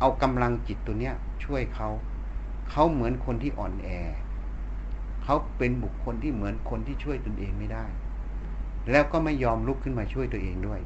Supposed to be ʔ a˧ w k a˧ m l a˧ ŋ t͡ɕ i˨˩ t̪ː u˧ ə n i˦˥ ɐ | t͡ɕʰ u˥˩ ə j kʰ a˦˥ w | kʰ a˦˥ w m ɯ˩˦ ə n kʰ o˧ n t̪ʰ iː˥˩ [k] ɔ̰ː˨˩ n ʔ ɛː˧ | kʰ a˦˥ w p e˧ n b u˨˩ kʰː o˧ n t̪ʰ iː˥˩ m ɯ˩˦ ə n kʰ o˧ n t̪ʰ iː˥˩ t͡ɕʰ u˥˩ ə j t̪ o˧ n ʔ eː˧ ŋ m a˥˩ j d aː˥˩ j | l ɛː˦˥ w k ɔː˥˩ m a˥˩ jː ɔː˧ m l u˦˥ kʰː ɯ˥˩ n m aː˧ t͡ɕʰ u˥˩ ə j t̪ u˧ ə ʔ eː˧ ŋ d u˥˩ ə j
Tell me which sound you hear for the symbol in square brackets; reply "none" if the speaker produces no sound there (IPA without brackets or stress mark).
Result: ʔ